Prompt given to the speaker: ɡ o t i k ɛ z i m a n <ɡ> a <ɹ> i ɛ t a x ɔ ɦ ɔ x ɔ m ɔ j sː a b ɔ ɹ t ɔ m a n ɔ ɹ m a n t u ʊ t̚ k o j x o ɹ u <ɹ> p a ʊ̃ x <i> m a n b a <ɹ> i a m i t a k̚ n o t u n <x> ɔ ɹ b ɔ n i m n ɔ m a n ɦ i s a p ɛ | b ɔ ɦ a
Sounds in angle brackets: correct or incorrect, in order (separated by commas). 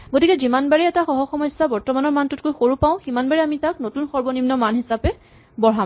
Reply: incorrect, correct, incorrect, correct, correct, correct